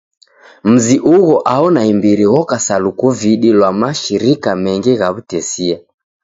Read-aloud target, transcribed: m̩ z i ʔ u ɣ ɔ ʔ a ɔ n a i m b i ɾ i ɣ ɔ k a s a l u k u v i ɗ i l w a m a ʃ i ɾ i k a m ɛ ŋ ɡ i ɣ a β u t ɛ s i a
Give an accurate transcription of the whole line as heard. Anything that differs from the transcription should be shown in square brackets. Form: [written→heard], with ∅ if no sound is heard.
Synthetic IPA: m̩ z i ʔ u ɣ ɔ ʔ a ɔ n a i m b i ɾ i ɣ ɔ k a s a l u k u v i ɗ i l w a m a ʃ i ɾ i k a m ɛ ŋ ɡ i ɣ a β u t ɛ s i a